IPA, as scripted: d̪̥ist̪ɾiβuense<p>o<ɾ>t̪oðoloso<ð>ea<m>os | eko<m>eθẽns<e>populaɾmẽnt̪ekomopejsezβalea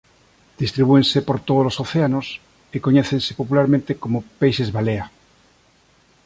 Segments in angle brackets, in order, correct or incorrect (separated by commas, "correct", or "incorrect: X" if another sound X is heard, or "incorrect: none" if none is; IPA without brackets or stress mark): correct, correct, incorrect: θ, incorrect: n, incorrect: ɲ, correct